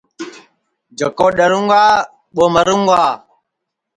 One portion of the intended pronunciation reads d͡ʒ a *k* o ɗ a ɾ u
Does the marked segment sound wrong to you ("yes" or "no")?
no